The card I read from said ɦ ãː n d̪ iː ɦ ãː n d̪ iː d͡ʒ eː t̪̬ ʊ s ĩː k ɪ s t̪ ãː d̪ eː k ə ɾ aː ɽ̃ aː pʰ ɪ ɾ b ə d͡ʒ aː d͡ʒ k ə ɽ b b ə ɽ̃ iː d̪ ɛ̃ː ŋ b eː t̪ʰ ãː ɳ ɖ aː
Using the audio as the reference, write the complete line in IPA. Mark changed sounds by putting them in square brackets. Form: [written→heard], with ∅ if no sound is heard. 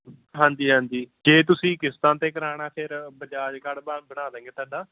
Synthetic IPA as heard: ɦ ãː n d̪ iː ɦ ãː n d̪ iː d͡ʒ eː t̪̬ ʊ s ĩː k ɪ s t̪ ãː [d̪→t̪] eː k ə ɾ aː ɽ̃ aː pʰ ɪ ɾ b ə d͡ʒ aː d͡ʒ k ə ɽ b b ə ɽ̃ [iː→aː] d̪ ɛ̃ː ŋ [b→ɡ] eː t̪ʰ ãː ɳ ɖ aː